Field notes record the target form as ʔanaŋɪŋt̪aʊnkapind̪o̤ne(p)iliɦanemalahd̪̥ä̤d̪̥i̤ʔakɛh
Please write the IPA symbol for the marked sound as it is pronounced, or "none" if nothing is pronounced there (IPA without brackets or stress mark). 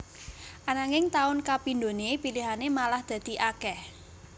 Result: p